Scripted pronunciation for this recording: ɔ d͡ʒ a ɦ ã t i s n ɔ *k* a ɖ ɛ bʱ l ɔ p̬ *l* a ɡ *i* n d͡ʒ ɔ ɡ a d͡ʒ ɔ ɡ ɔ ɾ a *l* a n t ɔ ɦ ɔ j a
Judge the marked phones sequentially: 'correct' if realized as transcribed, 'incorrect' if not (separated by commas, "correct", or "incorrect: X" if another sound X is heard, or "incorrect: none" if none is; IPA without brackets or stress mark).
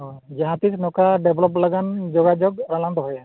correct, correct, incorrect: a, correct